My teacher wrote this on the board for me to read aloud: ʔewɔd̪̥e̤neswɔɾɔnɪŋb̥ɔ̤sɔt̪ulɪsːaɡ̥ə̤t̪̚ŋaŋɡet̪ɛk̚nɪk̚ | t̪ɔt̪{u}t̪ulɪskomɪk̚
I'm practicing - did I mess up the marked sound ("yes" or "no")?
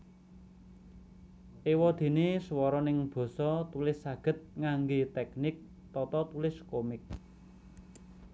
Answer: yes